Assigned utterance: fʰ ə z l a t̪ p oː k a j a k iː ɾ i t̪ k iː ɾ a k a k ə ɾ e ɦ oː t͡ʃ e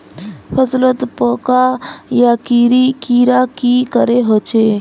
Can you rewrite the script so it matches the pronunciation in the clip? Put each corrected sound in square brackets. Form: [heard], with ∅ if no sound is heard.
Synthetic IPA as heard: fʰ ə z l [ə] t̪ p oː k a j a k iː ɾ i [∅] k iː ɾ a k [i] k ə ɾ e ɦ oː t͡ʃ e